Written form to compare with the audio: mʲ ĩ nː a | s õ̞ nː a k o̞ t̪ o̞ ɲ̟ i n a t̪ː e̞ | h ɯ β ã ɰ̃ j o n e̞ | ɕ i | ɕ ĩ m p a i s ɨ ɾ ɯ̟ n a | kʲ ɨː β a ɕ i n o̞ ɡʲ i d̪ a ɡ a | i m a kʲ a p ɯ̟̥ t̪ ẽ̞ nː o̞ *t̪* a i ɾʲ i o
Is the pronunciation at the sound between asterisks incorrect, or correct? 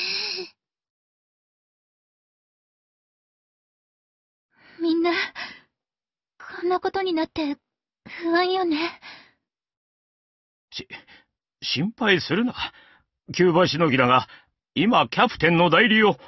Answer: incorrect